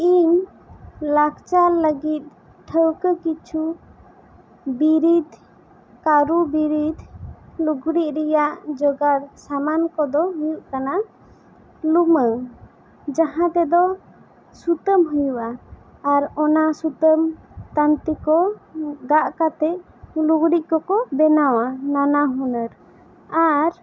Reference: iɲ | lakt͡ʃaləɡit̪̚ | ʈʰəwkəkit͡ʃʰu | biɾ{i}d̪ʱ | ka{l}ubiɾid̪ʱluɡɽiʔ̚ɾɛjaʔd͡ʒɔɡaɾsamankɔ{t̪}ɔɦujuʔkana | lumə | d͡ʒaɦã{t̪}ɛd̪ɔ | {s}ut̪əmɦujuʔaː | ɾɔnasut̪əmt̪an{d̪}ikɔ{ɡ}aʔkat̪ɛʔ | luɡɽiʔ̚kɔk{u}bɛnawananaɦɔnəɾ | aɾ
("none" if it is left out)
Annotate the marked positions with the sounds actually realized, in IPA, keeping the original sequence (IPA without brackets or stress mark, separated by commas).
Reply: i, ɾ, d̪, t̪, s, t̪, ɡ, ɔ